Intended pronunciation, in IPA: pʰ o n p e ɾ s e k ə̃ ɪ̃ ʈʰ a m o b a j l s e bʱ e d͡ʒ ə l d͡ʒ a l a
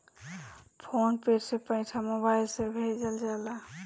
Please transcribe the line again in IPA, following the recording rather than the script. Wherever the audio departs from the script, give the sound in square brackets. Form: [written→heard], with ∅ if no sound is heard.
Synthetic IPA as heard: pʰ o n p e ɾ s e [k→p] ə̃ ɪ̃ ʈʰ a m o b a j l s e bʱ e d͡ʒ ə l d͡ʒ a l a